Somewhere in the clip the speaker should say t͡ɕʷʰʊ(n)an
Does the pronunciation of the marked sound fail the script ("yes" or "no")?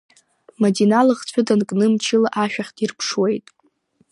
yes